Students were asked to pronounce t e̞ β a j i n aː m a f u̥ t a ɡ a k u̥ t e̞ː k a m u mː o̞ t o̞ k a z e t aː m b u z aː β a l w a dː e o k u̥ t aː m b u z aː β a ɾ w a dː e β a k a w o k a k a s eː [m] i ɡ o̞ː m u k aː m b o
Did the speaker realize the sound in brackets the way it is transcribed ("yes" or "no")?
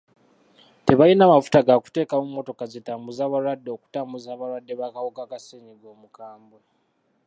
no